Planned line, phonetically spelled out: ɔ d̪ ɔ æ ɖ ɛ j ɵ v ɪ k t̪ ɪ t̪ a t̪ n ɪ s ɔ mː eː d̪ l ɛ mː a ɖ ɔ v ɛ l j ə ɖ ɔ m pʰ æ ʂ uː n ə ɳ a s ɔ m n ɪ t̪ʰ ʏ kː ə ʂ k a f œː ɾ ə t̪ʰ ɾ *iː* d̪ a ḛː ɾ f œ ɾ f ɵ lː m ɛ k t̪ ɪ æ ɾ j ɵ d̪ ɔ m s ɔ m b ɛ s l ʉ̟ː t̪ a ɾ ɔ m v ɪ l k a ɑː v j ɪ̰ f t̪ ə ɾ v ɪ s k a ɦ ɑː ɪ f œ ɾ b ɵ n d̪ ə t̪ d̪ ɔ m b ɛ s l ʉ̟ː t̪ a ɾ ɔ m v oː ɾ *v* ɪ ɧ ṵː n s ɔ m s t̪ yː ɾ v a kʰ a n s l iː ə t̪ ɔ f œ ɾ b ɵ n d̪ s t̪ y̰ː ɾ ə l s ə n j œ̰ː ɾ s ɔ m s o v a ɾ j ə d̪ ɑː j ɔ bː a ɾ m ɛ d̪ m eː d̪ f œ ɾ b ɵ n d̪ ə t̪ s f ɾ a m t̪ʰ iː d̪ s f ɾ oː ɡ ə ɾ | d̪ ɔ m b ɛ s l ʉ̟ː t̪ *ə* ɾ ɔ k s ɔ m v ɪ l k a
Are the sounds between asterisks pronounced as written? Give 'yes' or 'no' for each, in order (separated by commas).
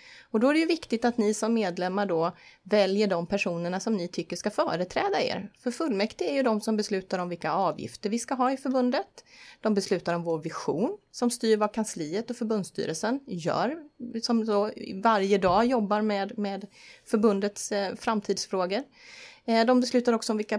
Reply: no, yes, no